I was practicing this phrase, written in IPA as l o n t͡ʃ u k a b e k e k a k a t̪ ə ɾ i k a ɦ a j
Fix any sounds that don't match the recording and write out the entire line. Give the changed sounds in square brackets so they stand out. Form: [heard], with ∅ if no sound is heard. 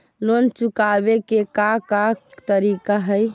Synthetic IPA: l o n t͡ʃ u k a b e k e k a k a t̪ ə ɾ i k a ɦ [ə] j

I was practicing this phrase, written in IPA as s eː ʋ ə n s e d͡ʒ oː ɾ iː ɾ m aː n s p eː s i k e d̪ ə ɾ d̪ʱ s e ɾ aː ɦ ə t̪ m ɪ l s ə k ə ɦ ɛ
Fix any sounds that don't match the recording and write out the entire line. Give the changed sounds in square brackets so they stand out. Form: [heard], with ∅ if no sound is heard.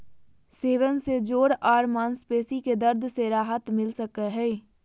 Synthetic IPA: s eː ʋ ə n s e d͡ʒ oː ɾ [aː] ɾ m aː n s p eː s i k e d̪ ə ɾ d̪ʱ s e ɾ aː ɦ ə t̪ m ɪ l s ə k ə ɦ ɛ

